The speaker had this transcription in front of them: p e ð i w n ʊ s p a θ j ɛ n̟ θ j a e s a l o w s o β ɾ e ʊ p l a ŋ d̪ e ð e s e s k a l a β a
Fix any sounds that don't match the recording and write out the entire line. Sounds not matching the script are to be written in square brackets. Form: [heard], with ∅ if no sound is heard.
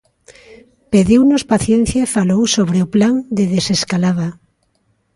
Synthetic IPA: p e ð i w n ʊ s p a θ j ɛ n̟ θ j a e [f] a l o w s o β ɾ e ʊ p l a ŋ d̪ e ð e s e s k a l a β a

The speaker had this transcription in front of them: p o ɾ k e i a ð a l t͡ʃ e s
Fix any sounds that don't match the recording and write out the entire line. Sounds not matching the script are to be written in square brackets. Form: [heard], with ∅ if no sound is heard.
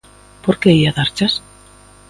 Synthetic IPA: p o ɾ k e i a ð a [ɾ] t͡ʃ [a] s

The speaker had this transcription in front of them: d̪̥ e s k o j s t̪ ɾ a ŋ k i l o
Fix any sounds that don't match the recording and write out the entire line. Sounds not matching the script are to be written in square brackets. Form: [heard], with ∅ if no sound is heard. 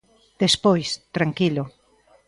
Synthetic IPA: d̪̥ e s [p] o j s t̪ ɾ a ŋ k i l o

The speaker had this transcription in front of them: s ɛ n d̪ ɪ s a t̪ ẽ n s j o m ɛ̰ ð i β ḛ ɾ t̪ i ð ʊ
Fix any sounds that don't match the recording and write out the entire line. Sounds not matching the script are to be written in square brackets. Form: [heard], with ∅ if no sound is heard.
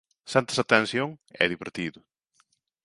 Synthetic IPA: s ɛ n [t̪] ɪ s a t̪ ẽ n s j o [ŋ] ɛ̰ ð i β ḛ ɾ t̪ i ð ʊ

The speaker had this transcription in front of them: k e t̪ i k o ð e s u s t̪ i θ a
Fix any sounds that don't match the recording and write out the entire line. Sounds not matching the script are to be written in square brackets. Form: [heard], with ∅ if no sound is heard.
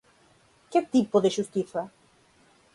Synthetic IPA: k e t̪ i [p] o ð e [ʃ] u s t̪ i θ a

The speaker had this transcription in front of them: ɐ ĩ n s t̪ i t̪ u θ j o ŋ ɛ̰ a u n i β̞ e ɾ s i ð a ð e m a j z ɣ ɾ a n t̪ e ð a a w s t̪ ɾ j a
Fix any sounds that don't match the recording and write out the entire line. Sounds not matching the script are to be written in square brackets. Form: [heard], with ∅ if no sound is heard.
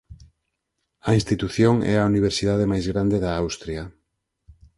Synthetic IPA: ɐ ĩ n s t̪ i t̪ u θ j o ŋ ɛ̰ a u n i β̞ e ɾ s i ð a ð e m a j z ɣ ɾ a n [d̪] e ð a a w s t̪ ɾ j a

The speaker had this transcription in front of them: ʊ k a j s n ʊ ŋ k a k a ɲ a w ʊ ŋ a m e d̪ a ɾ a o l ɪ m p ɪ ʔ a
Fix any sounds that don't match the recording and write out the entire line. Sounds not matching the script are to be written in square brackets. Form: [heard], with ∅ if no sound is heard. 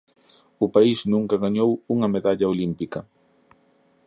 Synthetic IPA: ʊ [p] a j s n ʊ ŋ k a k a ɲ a w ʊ ŋ a m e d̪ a [ʎ] a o l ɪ m p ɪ [k] a

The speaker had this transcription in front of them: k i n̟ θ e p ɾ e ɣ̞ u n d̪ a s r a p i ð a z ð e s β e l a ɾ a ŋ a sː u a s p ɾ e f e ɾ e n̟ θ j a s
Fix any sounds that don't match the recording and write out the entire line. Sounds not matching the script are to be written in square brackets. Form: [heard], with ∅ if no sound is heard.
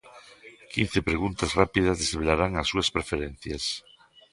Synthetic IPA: k i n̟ θ e p ɾ e ɣ̞ u n [t̪] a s r a p i ð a z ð e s β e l a ɾ a ŋ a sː u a s p ɾ e f e ɾ e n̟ θ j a s

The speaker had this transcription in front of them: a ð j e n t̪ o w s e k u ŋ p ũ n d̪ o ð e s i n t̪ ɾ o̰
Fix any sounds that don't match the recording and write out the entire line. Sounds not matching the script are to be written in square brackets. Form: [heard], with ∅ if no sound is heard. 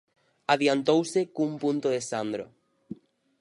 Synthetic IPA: a ð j [a] n t̪ o w s e k u [m] p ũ n [t̪] o ð e s [a] n [d̪] ɾ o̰

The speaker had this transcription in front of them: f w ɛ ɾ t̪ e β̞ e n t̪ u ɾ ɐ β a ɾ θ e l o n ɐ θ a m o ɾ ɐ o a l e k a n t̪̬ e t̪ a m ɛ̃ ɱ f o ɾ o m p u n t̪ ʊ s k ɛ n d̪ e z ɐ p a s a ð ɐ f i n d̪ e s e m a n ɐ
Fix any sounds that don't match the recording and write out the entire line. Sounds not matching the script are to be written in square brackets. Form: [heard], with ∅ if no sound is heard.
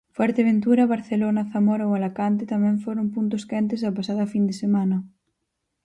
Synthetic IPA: f w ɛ ɾ t̪ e β̞ e n t̪ u ɾ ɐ β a ɾ θ e l o n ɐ θ a m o ɾ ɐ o a l [a] k a n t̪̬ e t̪ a m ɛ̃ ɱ f o ɾ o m p u n t̪ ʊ s k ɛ n [t̪] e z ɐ p a s a ð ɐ f i n d̪ e s e m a n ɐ

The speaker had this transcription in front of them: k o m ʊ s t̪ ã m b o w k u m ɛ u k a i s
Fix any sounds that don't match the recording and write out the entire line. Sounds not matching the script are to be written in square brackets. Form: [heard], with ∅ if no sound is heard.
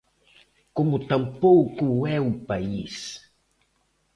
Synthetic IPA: k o m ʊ [∅] t̪ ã m [p] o w k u [∅] ɛ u [p] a i s

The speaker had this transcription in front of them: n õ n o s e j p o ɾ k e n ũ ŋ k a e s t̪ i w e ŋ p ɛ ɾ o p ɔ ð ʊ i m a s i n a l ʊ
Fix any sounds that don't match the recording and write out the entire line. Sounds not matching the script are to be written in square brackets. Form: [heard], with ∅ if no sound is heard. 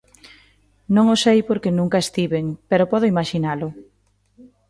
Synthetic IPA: n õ [ŋ] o s e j p o ɾ k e n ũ ŋ k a e s t̪ i [β] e ŋ p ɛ ɾ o p ɔ ð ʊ i m a [ʃ] i n a l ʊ

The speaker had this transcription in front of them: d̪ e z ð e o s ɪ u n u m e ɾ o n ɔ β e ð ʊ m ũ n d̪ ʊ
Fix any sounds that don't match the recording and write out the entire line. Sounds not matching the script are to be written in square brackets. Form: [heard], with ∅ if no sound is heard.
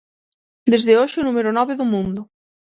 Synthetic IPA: d̪ e z ð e o [ʃ] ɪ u n u m e ɾ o n ɔ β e ð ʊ m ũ n d̪ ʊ

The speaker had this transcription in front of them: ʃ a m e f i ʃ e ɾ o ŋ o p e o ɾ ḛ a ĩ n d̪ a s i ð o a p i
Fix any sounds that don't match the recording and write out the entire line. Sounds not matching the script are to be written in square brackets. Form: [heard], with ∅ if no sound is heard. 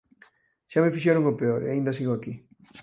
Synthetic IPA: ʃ a m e f i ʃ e ɾ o ŋ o p e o ɾ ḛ a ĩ n d̪ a s i [ɣ] o a [k] i

